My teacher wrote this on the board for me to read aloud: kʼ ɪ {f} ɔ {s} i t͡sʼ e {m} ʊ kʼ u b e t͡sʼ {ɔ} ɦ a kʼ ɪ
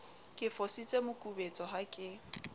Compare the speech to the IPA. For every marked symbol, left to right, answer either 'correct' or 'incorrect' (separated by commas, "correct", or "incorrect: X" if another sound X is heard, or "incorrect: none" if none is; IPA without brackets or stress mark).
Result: correct, correct, correct, correct